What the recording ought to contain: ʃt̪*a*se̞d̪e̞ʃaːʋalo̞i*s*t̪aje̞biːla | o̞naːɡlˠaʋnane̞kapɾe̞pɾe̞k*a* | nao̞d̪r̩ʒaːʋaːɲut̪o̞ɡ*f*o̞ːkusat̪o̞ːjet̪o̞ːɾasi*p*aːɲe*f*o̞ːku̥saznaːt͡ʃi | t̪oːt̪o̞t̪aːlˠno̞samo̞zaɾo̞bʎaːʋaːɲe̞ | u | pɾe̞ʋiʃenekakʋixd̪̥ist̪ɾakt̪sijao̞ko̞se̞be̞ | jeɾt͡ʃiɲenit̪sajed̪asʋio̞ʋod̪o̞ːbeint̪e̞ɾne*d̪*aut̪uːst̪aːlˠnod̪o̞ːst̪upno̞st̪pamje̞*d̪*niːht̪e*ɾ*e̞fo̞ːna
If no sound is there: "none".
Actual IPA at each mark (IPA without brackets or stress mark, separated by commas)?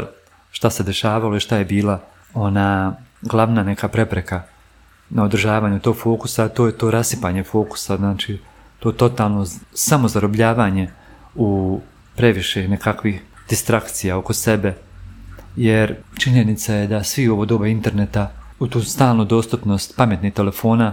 a, ʃ, a, f, p, f, t̪, t̪, l